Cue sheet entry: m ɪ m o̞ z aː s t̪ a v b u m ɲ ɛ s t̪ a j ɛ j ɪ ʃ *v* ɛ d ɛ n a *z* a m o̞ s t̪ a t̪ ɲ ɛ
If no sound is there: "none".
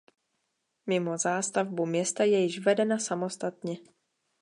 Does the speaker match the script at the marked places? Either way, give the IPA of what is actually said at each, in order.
v, s

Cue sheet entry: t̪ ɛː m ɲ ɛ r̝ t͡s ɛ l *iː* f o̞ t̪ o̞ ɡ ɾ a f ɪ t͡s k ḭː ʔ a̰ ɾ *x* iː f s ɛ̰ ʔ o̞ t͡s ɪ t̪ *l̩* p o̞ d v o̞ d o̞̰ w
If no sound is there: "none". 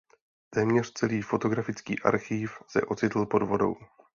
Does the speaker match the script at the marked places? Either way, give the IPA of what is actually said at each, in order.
iː, x, l̩

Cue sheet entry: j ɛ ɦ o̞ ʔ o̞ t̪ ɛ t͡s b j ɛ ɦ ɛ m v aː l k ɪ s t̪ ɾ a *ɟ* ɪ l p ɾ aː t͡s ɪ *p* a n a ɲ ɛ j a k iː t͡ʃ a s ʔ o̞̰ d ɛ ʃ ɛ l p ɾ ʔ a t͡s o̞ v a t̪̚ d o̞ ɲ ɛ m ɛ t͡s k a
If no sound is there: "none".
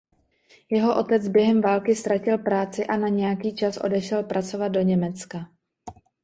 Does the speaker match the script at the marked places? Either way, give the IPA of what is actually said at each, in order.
c, ʔ

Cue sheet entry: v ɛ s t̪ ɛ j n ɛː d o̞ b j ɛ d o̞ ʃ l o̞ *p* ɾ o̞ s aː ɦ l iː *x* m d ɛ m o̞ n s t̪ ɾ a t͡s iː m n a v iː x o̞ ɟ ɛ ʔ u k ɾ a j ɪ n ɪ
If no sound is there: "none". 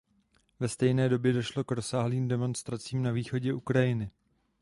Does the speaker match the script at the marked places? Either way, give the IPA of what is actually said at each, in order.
k, none

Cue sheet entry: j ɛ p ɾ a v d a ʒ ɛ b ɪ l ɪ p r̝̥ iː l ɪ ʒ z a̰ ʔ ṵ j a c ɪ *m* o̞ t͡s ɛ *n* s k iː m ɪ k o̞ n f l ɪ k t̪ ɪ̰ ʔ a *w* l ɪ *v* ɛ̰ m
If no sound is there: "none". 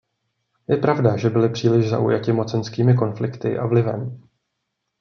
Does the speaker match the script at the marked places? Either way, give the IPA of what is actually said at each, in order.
m, n, v, v

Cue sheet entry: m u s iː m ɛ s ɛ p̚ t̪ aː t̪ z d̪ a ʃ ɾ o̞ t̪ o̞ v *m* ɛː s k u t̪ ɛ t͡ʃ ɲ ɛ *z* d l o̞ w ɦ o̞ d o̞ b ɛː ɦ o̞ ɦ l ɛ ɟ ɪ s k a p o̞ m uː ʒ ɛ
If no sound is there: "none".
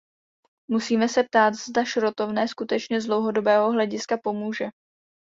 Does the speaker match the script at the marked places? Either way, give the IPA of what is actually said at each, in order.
n, z

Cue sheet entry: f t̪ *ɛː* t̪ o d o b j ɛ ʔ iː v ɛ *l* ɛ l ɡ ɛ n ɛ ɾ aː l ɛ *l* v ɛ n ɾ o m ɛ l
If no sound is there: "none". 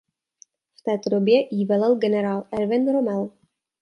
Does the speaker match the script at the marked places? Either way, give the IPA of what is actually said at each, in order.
ɛː, l, ɾ

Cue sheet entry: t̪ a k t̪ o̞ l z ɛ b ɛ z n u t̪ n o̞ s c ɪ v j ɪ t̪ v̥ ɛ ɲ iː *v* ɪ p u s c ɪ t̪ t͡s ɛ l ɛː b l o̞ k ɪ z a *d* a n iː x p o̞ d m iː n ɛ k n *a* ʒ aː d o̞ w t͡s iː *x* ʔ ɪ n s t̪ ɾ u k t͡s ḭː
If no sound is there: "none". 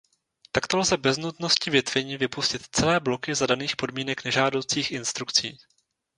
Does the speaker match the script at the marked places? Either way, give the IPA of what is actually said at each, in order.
v, d, ɛ, x

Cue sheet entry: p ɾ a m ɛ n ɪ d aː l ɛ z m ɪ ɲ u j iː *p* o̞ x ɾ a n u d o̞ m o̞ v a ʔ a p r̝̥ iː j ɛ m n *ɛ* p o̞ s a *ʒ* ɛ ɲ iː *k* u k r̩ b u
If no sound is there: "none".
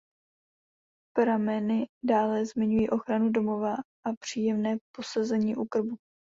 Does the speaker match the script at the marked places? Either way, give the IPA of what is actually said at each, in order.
ʔ, ɛː, z, ʔ

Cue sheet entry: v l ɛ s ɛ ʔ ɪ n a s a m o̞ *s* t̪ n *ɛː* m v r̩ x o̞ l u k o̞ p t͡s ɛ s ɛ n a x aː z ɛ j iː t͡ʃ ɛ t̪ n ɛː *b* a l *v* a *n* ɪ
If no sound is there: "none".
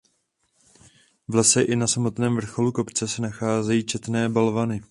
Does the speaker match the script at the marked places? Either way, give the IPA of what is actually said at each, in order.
none, ɛː, b, v, n

